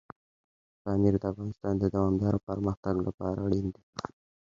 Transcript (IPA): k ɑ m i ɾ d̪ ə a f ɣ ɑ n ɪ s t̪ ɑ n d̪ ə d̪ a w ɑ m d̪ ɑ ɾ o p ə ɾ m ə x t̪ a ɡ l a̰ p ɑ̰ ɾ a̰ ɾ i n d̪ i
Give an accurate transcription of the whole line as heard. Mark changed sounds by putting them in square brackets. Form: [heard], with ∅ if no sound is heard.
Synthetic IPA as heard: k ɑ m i ɾ d̪ ə a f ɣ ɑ n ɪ s t̪ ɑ n d̪ ə d̪ a w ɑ m d̪ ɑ ɾ o p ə ɾ m ə x t̪ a ɡ l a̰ p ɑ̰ ɾ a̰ [ɽ] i n d̪ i